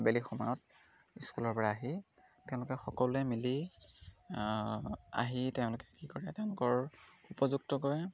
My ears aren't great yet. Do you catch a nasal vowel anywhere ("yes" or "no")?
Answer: yes